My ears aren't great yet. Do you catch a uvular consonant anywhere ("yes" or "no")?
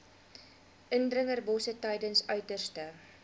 no